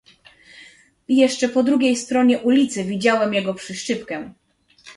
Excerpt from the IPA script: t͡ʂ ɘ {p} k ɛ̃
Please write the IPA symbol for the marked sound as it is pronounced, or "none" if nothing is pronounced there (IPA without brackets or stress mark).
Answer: p